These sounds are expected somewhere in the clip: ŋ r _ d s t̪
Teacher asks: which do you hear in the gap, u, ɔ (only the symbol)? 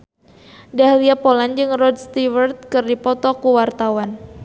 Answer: ɔ